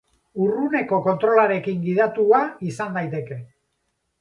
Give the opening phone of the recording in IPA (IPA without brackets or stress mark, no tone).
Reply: u